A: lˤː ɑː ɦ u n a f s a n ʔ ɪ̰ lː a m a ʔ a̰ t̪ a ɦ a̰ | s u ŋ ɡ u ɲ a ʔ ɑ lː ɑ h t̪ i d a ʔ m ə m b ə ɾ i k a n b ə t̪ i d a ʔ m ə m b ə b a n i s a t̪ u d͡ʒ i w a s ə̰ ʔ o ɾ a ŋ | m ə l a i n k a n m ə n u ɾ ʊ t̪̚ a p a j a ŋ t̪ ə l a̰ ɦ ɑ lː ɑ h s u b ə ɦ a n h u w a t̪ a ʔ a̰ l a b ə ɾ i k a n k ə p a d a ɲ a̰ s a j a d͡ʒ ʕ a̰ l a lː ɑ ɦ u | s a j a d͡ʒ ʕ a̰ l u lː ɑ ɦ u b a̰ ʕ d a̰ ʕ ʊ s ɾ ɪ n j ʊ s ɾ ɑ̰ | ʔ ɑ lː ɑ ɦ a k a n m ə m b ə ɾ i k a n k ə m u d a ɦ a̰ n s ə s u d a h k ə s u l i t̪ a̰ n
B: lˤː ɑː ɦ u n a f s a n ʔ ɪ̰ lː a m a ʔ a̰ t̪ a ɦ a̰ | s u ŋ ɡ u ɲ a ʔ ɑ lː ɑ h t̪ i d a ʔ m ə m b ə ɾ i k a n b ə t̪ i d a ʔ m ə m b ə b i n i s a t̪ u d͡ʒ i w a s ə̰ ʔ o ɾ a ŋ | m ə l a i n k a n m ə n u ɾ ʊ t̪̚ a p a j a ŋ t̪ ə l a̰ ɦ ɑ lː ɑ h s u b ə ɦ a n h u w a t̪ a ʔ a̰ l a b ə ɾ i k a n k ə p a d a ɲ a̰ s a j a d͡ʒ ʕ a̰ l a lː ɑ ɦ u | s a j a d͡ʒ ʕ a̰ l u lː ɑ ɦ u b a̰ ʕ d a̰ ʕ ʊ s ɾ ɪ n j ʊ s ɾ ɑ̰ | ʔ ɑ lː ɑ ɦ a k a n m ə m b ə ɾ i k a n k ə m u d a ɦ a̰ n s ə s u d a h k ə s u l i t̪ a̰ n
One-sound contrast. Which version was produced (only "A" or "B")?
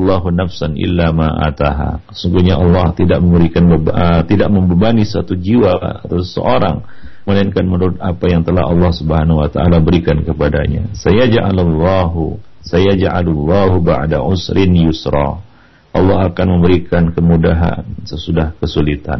A